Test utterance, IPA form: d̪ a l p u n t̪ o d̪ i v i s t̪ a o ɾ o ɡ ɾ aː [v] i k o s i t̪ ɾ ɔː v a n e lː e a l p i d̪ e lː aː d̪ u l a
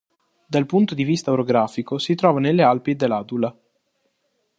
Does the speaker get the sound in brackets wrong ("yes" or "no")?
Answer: yes